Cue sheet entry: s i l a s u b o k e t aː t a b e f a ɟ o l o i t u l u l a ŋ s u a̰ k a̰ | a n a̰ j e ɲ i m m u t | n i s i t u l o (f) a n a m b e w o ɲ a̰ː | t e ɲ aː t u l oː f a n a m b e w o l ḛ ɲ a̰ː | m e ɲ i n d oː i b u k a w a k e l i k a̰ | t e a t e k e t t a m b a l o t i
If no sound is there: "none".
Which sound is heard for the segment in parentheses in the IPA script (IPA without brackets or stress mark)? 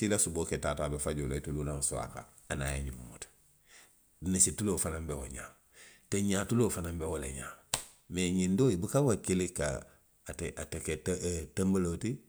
f